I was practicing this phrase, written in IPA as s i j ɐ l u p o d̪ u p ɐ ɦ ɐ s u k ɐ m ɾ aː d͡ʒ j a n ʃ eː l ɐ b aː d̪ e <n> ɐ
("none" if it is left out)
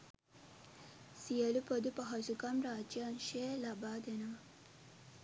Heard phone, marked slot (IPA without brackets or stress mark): n